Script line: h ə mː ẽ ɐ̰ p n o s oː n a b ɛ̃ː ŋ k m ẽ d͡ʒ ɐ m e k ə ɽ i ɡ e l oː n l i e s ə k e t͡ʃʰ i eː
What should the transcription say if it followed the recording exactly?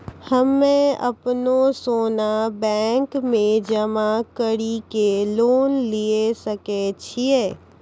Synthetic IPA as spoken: h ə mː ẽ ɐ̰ p n o s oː n a b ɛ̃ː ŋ k m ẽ d͡ʒ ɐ m a k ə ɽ i k e l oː n l i e s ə k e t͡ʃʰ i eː